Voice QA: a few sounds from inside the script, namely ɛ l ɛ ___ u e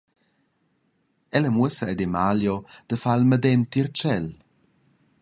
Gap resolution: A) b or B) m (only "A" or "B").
B